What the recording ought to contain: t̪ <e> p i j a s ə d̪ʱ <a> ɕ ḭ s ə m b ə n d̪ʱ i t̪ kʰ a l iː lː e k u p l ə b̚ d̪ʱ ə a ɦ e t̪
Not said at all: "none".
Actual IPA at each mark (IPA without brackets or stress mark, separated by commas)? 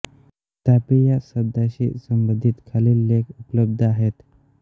a, a